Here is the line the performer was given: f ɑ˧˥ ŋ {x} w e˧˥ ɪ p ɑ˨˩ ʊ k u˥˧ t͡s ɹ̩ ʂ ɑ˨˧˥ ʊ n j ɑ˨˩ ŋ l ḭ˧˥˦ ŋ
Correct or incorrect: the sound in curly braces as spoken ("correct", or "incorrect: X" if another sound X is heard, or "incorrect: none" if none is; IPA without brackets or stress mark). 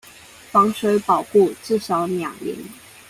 incorrect: ʂ